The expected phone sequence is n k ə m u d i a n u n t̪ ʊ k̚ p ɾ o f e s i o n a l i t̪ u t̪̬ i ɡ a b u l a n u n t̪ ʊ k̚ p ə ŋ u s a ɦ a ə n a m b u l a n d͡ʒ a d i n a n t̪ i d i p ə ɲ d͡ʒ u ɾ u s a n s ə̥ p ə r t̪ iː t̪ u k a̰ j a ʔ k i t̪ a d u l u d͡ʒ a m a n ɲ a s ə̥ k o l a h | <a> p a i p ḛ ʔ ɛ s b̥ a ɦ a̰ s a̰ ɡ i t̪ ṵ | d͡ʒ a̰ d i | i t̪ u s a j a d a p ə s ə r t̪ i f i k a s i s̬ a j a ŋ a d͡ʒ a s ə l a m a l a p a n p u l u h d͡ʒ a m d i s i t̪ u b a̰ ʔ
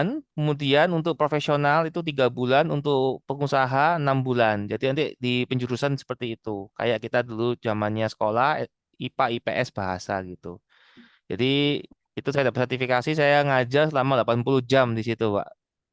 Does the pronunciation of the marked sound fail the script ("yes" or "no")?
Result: yes